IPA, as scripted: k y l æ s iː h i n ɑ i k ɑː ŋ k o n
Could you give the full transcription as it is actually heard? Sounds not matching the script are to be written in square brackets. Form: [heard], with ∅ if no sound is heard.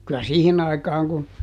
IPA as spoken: k y l æ s iː h i n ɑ i k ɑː ŋ k [u] n